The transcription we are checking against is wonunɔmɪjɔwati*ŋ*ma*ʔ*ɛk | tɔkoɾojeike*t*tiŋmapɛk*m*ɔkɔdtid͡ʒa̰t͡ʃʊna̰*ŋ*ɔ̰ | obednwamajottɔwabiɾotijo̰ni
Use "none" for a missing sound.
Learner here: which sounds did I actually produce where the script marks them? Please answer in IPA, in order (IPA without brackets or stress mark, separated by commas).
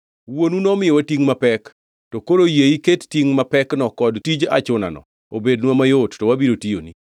ŋ, p, t, n, n